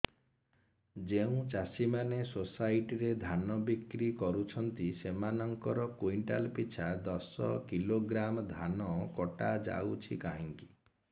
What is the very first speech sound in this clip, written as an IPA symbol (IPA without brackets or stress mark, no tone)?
d͡ʒ